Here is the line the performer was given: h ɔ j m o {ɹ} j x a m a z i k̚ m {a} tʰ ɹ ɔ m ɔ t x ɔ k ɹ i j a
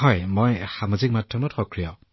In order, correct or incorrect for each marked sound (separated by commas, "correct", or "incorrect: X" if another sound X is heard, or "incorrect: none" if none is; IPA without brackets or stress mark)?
incorrect: none, correct